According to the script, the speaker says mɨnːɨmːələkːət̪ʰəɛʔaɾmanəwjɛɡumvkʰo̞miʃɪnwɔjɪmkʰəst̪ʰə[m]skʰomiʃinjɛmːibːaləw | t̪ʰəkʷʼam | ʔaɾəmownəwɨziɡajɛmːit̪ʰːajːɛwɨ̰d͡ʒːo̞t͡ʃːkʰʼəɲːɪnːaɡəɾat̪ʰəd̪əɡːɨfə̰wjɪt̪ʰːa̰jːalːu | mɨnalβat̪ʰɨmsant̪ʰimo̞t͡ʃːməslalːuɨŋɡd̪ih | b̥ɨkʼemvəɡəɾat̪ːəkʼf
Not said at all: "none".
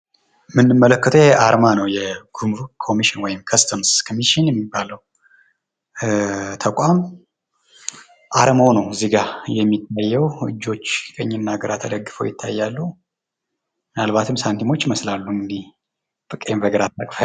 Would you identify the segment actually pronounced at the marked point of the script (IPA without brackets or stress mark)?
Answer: m